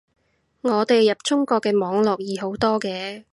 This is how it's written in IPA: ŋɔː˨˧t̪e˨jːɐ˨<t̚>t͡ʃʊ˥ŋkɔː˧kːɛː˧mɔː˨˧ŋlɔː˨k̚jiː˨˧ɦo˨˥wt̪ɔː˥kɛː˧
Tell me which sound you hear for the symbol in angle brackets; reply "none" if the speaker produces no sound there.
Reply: p̚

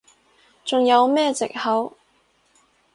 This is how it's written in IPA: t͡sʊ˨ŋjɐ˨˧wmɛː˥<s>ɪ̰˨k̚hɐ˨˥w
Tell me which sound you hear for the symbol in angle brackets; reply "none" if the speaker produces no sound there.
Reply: t͡s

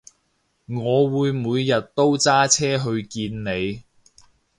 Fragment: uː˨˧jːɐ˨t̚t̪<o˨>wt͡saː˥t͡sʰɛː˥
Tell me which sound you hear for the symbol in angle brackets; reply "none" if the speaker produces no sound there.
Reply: o˥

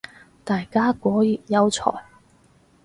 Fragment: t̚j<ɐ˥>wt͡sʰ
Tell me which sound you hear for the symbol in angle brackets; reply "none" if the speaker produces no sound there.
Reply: ɐ˥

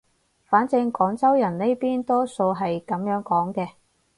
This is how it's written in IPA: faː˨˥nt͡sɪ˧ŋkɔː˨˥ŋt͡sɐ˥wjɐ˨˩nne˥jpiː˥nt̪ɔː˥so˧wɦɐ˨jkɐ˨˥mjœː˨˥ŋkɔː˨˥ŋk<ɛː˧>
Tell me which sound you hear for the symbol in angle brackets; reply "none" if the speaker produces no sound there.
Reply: ɛː˧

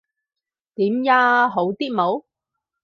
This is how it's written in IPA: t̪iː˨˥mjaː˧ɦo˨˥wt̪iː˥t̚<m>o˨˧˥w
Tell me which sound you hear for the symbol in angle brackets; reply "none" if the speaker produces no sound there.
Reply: m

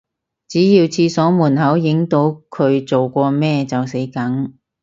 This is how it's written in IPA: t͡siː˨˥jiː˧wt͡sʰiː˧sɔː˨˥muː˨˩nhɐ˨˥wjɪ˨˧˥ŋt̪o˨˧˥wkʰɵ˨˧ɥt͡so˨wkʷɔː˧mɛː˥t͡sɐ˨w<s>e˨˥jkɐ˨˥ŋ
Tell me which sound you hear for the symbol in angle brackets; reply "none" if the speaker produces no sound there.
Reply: s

